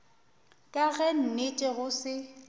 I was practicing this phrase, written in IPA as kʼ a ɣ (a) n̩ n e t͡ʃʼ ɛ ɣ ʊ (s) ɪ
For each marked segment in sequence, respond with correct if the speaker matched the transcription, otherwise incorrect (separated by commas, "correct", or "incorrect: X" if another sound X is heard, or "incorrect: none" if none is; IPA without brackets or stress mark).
incorrect: ɛ, correct